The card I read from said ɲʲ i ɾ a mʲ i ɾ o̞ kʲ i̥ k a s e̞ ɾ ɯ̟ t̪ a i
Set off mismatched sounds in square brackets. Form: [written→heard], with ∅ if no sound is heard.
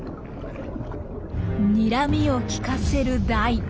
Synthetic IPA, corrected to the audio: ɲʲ i ɾ a mʲ i [ɾ→∅] o̞ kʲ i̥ k a s e̞ ɾ ɯ̟ [t̪→d̪] a i